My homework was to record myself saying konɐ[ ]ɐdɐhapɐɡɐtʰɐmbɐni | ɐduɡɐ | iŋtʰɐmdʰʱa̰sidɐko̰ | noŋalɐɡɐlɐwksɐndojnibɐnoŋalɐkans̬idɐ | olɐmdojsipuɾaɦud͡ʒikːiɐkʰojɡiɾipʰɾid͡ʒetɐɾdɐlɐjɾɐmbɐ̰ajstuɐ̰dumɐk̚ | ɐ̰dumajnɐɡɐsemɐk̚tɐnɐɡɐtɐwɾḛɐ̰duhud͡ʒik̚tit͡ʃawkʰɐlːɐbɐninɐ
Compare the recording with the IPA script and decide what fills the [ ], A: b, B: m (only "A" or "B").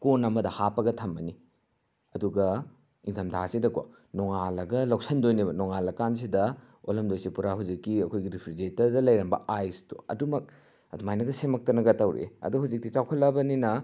B